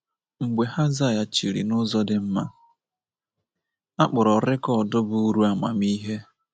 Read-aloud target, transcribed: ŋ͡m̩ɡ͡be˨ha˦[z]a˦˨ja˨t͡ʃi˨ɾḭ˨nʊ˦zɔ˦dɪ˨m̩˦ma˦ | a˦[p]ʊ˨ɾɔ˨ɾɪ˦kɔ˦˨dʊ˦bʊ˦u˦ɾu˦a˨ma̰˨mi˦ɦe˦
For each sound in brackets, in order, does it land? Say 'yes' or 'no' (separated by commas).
yes, no